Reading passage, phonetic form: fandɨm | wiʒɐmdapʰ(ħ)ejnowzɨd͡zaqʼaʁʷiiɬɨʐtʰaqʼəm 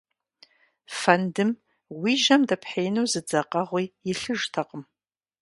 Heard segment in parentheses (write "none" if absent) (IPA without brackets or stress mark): ħ